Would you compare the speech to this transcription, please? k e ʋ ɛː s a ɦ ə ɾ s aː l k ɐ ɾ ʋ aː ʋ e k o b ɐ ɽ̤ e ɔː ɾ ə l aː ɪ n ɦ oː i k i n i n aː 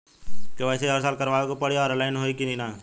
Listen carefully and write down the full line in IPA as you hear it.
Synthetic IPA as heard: k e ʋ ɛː s e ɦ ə ɾ s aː l k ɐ ɾ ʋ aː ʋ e k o p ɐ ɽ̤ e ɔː ɾ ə l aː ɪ n ɦ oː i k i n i n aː